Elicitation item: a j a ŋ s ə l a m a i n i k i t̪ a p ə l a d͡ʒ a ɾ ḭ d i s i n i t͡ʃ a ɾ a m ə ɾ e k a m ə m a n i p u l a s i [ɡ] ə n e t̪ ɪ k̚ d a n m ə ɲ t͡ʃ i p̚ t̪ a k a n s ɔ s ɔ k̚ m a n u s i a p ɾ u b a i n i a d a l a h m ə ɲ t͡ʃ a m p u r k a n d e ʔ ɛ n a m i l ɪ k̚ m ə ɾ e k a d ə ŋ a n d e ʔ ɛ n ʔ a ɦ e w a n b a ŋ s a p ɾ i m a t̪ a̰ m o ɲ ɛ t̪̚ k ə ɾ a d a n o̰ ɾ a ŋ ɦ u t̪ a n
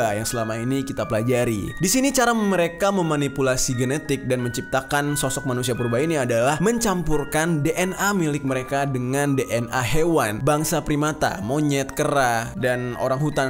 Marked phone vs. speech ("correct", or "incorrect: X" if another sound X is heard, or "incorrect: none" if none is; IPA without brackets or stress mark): correct